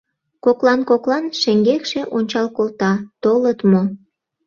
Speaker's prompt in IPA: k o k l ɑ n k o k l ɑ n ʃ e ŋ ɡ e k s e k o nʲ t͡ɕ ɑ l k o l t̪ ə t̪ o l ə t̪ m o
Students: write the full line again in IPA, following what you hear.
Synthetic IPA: k o k l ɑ n k o k l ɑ n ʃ e ŋ ɡ e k ʃ e ʔ o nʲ t͡ɕ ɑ l k o l t̪ ɑ t̪ o l ə t̪ m o